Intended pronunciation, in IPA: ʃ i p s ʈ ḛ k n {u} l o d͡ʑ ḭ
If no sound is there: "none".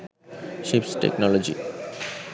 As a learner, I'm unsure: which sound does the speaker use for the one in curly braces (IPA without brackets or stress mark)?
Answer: ɔ